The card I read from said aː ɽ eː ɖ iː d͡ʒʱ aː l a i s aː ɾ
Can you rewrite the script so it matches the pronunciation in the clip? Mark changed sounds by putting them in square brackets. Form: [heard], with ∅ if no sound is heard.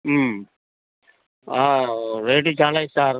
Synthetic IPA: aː [ɾ] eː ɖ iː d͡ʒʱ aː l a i s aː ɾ